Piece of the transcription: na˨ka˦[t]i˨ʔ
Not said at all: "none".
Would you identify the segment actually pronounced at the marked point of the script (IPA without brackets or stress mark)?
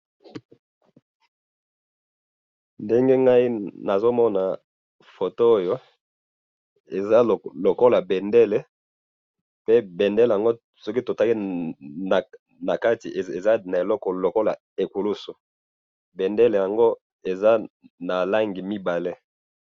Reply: t